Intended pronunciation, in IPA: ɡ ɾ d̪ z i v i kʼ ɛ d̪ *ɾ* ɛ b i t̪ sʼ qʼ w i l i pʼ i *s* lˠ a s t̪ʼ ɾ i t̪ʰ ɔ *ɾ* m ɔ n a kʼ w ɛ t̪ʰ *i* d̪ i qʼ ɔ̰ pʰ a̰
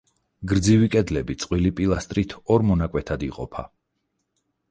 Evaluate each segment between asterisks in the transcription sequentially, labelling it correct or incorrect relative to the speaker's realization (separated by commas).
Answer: incorrect, incorrect, correct, incorrect